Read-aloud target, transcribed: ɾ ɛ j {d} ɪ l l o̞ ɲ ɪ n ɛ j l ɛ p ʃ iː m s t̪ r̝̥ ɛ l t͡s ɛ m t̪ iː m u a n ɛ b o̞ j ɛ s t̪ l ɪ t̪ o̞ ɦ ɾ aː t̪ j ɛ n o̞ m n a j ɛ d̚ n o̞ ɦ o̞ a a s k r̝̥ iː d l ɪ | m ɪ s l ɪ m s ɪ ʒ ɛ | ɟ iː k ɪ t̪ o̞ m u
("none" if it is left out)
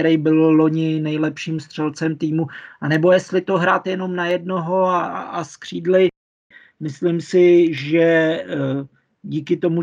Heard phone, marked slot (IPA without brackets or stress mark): b